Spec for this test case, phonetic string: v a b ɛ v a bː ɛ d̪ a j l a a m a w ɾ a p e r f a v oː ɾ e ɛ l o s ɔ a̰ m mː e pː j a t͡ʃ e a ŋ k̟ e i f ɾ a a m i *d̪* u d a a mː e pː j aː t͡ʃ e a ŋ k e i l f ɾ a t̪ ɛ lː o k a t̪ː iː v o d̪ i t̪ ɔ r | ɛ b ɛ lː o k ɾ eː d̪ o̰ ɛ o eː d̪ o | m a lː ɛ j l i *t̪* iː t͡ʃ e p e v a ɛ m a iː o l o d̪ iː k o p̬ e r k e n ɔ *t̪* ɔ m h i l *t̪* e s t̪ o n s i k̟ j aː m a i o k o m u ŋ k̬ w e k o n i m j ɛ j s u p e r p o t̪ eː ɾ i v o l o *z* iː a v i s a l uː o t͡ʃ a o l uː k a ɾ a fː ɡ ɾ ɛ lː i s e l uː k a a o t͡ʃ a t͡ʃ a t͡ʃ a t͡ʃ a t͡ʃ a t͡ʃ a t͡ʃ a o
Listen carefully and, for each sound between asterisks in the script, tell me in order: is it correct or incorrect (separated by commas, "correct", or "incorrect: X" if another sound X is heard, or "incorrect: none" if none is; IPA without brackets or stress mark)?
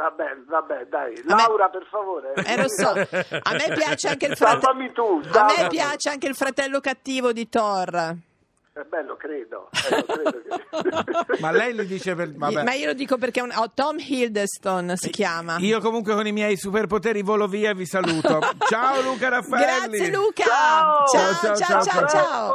incorrect: t̪, incorrect: d̪, correct, incorrect: d̪, incorrect: v